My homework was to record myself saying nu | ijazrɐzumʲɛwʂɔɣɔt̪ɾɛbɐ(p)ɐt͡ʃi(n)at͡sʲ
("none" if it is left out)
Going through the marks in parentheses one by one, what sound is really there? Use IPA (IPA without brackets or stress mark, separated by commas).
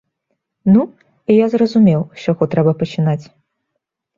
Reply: p, n